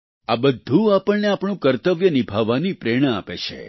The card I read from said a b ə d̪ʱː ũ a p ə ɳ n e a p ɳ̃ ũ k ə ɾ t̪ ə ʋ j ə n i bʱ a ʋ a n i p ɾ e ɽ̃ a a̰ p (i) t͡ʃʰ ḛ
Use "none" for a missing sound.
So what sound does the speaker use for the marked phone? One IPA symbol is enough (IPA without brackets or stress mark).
e